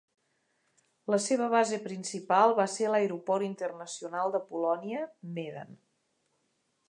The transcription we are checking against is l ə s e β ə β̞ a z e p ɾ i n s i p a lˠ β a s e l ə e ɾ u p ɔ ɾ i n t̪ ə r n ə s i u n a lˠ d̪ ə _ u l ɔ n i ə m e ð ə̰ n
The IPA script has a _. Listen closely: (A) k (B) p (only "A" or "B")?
B